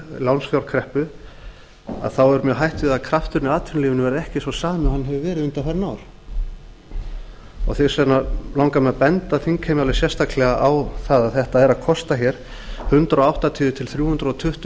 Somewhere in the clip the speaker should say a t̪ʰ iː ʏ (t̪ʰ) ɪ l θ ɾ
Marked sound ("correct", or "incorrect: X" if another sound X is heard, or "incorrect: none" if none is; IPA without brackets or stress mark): correct